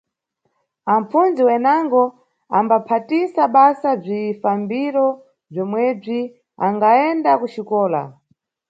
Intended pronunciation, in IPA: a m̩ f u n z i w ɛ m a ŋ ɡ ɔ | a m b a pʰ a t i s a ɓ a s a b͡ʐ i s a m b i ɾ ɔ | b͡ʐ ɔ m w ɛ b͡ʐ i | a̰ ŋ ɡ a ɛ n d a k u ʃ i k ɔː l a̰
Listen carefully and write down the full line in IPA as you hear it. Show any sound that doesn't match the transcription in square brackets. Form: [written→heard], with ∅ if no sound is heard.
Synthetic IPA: a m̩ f u n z i w ɛ [m→n] a ŋ ɡ ɔ | a m b a pʰ a t i s a ɓ a s a b͡ʐ i [s→f] a m b i ɾ ɔ | b͡ʐ ɔ m w ɛ b͡ʐ i | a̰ ŋ ɡ a ɛ n d a k u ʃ i k ɔː l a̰

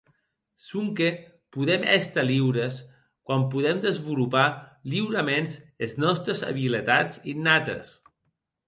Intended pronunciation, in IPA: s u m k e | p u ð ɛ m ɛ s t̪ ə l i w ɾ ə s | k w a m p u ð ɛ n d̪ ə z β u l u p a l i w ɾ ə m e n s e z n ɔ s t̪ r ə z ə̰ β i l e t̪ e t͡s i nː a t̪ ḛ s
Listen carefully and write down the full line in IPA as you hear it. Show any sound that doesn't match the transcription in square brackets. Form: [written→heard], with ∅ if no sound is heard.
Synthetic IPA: s u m k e | p u ð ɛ m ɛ s t̪ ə l i w ɾ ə s | k w a m p u ð ɛ [n→m] d̪ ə z β u l u p a l i w ɾ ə m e n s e z n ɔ s t̪ [r→ɾ] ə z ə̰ β i l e t̪ [e→a] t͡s i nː a t̪ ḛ s

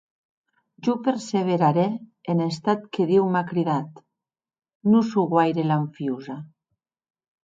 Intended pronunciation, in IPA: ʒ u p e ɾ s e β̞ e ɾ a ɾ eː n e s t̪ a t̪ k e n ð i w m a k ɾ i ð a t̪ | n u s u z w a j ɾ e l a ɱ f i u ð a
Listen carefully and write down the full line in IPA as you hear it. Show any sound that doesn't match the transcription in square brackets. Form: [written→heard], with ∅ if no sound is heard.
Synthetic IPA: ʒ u p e ɾ s e β̞ e ɾ a ɾ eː n e s t̪ a t̪ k e [n→∅] ð i w m a k ɾ i ð a t̪ | n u s u [z→ɣ] w a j ɾ e l a ɱ f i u [ð→z] a

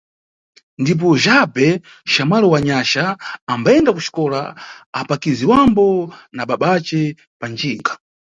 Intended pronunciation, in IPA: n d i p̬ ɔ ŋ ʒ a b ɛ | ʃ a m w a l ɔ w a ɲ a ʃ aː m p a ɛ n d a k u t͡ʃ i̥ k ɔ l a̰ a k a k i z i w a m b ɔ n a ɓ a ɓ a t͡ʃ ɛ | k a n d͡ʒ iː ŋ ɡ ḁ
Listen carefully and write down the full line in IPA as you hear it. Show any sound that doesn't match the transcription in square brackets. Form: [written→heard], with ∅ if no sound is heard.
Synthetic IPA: n d i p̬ ɔ [ŋ→∅] ʒ a b ɛ | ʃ a m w a l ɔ w a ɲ a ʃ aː m [p→b] a ɛ n d a k u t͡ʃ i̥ k ɔ l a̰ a [k→p] a k i z i w a m b ɔ n a ɓ a ɓ a t͡ʃ ɛ | [k→p] a n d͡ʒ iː ŋ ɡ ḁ

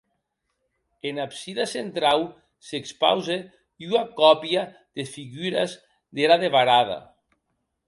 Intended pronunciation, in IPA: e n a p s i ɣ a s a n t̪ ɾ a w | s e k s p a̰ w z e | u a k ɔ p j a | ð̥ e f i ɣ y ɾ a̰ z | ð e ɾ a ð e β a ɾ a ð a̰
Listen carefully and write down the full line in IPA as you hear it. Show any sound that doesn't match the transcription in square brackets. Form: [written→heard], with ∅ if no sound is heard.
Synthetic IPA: e n a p s i [ɣ→ð] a s [a→e] n t̪ ɾ a w | s e k s p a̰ w z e | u a k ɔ p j a | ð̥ e f i ɣ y ɾ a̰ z | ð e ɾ a ð e β a ɾ a ð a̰

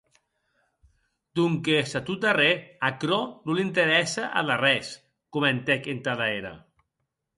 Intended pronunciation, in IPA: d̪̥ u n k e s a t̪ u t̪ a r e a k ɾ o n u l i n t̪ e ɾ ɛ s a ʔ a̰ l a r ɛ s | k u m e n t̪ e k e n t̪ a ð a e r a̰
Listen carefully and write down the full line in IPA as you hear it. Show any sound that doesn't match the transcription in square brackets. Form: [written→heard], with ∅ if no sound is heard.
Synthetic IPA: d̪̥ u [n→ŋ] k e s a t̪ u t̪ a r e a k ɾ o n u l i n t̪ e ɾ ɛ s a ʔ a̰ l a r ɛ s | k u m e n t̪ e k e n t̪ a ð a e [r→ɾ] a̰

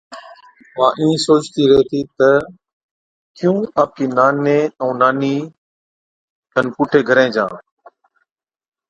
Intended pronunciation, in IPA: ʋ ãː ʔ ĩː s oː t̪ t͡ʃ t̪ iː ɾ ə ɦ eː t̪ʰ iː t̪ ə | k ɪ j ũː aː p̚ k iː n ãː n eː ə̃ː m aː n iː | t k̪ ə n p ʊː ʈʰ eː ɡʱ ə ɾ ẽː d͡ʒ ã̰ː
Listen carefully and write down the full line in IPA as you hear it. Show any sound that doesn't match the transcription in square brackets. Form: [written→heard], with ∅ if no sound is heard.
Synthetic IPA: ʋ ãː ʔ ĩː s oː [t̪→∅] t͡ʃ t̪ iː ɾ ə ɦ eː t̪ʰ iː t̪ ə | k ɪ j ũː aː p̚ k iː n [ãː→aː] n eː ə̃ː [m→n] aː n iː | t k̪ ə n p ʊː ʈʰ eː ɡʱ ə ɾ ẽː d͡ʒ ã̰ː

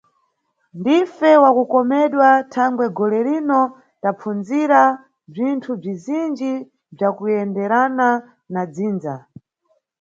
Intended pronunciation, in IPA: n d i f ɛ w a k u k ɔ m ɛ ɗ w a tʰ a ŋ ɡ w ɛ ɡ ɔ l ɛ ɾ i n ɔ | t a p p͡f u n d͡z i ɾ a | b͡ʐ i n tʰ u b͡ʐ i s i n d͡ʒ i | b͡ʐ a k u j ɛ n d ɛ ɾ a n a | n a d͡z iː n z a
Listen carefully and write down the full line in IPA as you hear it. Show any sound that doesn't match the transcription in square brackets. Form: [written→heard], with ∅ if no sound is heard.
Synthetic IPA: n d i f ɛ w a k u k ɔ m ɛ ɗ w a tʰ a ŋ ɡ w ɛ ɡ ɔ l ɛ ɾ i n ɔ | t a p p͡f u n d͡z i ɾ a | b͡ʐ i n tʰ u b͡ʐ i [s→z] i n d͡ʒ i | b͡ʐ a k u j ɛ n d ɛ ɾ a n a | n a d͡z iː n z a

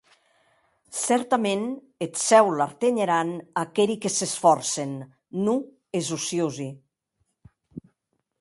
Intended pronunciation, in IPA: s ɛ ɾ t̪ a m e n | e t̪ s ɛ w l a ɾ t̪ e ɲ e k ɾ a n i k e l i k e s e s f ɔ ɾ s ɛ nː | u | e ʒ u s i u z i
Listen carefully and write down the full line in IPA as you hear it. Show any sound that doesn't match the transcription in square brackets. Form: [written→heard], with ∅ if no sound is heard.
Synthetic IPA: s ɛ ɾ t̪ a m e n | e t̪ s ɛ w l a ɾ t̪ e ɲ e [k→∅] ɾ a n [i→a] k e [l→ɾ] i k e s e s f ɔ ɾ s [ɛ→e] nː | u | e [ʒ→z] u s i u z i

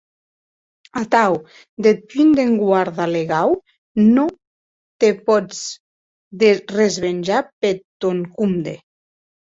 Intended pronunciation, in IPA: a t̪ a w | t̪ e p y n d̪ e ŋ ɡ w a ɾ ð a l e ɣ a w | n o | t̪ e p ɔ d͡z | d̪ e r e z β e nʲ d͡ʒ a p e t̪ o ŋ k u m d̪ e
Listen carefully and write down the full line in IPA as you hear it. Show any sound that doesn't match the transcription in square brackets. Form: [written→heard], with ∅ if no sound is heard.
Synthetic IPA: a t̪ a w | [t̪→d̪] e p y n d̪ e ŋ ɡ w a ɾ ð a l e ɣ a w | n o | t̪ e p ɔ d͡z | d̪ e r e z β e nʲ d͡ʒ a p e t̪ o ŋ k u m d̪ e

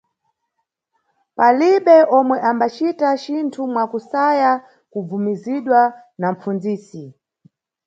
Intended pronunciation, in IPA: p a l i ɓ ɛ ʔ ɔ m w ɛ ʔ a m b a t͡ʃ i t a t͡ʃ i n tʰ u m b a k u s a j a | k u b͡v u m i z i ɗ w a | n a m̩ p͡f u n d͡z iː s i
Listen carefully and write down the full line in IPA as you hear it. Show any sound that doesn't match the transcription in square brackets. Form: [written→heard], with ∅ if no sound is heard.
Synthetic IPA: p a l i ɓ ɛ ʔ ɔ m w ɛ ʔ a m b a t͡ʃ i t a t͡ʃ i n tʰ u m [b→w] a k u s a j a | k u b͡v u m i z i ɗ w a | n a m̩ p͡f u n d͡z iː s i

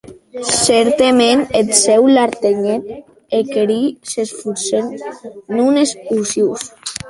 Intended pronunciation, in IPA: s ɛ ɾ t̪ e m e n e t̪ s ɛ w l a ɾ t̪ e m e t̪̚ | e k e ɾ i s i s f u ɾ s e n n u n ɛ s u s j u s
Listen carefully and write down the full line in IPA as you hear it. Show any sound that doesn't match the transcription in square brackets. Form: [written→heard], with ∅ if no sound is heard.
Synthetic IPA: s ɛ ɾ t̪ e m e n e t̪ s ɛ w l a ɾ t̪ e [m→ɲ] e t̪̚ | e k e ɾ i s [i→e] s f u ɾ s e n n u n [ɛ→e] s u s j u s

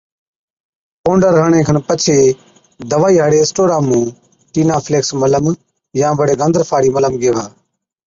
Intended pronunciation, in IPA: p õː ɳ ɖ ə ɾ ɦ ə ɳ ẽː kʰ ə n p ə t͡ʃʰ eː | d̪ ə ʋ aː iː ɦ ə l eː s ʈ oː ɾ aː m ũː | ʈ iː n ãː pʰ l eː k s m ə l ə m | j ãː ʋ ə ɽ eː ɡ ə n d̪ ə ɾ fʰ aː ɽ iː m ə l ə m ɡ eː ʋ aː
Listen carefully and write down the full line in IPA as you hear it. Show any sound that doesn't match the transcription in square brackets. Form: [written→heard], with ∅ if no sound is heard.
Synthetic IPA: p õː ɳ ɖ ə ɾ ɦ ə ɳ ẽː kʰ ə n p ə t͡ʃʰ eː | d̪ ə ʋ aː iː ɦ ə [l→ɽ] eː s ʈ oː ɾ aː m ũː | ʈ iː n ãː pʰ l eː k s m ə l ə m | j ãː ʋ ə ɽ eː ɡ ə n d̪ ə ɾ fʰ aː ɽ iː m ə l ə m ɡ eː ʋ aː

